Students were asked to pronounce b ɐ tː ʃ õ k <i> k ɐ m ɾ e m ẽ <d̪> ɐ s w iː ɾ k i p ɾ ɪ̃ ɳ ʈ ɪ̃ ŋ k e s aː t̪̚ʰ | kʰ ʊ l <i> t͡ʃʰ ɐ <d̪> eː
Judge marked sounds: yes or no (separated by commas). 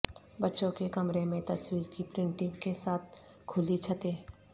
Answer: no, no, yes, no